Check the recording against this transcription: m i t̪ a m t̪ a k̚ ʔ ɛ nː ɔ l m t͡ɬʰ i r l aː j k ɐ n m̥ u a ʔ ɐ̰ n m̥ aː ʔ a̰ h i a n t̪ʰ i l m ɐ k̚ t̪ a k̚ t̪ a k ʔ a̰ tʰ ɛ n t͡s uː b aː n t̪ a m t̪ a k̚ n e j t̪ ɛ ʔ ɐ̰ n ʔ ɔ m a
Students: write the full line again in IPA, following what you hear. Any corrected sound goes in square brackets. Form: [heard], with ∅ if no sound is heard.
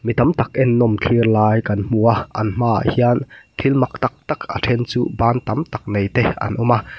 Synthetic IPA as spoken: m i t̪ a m t̪ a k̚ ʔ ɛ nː ɔ [∅] m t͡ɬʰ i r l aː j k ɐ n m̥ u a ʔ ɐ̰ n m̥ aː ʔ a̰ h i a n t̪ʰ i l m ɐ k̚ t̪ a k̚ t̪ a k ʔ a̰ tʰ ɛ n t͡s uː b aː n t̪ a m t̪ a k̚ n e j t̪ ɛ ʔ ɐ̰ n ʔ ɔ m a